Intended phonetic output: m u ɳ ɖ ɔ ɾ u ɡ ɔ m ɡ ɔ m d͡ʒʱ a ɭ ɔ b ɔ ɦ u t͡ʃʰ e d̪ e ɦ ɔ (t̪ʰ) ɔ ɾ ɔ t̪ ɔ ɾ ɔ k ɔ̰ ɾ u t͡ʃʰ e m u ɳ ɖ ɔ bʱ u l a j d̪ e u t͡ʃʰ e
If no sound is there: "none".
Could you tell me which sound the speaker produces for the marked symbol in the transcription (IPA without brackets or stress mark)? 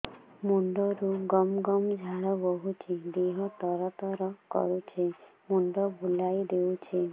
t̪